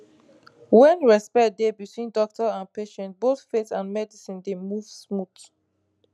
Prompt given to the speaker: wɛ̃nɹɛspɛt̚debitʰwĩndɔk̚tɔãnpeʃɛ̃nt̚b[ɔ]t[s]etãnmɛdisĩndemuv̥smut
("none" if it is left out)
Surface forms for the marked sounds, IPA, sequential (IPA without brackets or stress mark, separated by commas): o, f